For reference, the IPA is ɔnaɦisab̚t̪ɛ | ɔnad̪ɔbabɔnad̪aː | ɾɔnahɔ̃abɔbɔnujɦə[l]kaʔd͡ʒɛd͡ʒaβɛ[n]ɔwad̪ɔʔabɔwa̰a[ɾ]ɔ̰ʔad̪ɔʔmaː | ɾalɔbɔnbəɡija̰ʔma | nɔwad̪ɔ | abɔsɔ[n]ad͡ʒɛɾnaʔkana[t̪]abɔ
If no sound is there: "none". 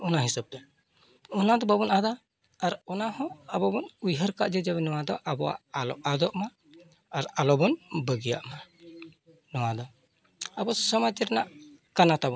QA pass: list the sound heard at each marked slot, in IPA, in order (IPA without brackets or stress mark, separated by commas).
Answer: ɾ, n, l, m, t̪